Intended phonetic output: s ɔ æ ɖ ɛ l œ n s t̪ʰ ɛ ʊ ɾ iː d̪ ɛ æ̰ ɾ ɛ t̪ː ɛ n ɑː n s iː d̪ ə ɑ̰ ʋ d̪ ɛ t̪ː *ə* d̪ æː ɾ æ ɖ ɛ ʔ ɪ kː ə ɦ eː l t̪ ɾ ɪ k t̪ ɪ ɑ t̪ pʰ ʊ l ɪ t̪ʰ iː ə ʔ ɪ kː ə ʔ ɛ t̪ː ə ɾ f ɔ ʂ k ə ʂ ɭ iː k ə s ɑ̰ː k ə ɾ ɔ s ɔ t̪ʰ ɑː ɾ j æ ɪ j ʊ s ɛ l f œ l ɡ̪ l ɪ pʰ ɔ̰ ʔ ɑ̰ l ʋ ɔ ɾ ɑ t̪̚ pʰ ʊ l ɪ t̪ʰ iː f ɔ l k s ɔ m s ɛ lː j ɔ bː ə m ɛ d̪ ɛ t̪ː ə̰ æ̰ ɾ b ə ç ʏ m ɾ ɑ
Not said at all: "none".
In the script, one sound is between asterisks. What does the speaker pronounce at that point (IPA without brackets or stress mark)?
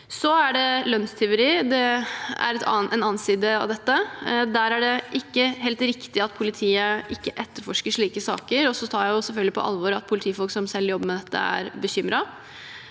ə